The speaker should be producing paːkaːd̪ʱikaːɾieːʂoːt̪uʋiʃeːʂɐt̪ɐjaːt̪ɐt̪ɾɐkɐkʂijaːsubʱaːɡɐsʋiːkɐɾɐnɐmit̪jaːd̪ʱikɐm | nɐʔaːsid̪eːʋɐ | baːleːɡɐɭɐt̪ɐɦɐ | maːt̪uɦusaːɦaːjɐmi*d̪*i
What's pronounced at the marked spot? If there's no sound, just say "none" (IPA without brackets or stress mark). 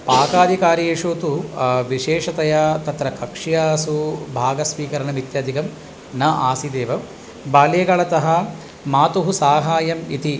t̪